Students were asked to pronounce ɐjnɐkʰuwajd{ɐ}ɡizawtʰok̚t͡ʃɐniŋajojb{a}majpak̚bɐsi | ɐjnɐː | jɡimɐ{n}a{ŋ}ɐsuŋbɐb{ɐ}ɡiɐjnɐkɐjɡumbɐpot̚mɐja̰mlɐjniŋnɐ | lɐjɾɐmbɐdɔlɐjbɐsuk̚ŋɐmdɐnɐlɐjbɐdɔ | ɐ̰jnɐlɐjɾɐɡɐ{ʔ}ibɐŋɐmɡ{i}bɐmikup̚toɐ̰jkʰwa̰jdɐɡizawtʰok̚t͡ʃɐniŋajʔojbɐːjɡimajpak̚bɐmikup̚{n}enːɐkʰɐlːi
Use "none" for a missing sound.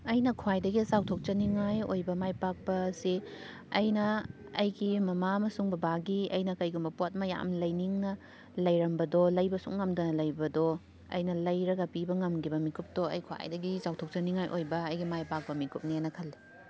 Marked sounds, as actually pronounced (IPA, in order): ɐ, ɐ, m, m, a, p, i, n

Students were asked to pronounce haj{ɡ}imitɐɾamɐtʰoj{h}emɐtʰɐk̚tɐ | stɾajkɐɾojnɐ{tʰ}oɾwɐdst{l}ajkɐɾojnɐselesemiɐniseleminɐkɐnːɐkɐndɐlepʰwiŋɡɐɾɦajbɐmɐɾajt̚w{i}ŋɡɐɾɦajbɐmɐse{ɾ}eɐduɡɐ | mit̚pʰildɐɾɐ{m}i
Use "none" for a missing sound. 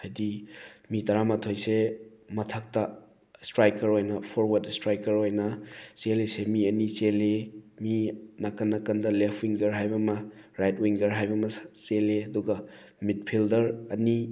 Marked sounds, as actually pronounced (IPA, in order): d, s, pʰ, ɾ, i, l, n

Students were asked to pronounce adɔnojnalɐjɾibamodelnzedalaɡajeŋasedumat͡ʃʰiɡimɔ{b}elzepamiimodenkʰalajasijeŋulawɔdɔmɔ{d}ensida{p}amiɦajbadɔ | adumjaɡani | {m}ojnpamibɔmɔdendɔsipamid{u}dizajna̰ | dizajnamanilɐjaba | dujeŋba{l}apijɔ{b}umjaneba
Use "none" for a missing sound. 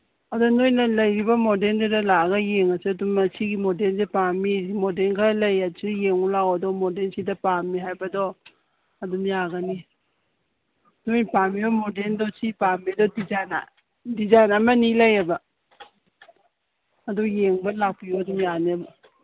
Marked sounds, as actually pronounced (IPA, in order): d, d, p, n, ɔ, l, d

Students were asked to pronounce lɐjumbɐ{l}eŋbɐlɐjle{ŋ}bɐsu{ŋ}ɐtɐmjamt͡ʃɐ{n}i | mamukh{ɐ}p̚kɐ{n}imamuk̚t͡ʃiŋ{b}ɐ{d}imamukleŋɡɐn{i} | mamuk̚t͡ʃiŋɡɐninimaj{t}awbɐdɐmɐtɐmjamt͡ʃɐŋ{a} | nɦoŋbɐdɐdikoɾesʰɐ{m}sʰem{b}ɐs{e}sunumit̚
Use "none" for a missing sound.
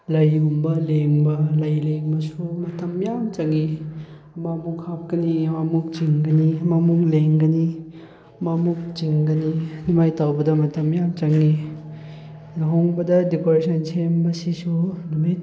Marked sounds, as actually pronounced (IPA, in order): l, ŋ, m, ŋ, a, n, ɡ, n, i, t, i, n, b, i

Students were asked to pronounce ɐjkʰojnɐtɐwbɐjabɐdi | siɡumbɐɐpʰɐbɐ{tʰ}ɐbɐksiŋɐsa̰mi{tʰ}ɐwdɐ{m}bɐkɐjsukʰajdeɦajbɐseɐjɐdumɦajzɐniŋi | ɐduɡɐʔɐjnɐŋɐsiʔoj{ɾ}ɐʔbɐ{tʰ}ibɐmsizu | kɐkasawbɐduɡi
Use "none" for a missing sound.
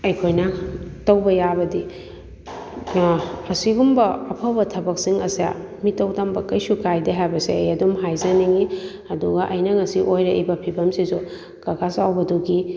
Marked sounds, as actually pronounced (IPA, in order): tʰ, t, m, ɾ, pʰ

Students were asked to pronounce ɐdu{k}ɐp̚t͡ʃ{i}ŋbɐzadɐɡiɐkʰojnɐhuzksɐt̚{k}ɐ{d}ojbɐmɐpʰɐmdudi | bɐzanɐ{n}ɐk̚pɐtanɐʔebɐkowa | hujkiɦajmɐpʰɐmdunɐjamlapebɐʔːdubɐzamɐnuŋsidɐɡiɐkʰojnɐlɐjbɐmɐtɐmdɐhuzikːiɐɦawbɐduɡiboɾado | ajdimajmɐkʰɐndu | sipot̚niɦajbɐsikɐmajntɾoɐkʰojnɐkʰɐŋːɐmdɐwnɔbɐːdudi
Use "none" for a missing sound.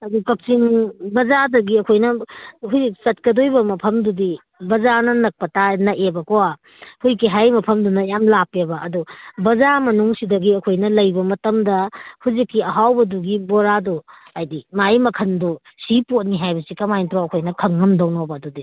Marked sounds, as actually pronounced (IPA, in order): k, i, k, d, n

